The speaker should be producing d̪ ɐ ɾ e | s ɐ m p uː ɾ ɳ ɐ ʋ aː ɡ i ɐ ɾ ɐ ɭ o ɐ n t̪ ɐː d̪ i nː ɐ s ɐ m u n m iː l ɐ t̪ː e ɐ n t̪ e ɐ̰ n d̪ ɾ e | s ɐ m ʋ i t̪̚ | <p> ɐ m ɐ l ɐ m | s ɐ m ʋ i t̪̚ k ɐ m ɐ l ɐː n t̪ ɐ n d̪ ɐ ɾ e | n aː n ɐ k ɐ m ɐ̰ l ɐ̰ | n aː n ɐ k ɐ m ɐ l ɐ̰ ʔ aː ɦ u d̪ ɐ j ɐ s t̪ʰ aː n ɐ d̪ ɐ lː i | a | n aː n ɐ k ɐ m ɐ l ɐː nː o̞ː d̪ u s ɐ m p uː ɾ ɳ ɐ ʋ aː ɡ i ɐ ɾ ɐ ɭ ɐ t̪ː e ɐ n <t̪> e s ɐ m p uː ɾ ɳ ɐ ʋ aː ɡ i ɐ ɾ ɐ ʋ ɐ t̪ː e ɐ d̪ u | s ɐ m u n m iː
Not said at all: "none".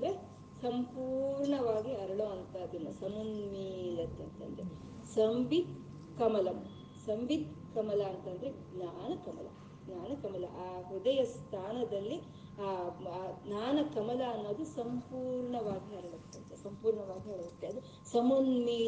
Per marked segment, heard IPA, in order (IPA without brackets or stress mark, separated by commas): k, t̪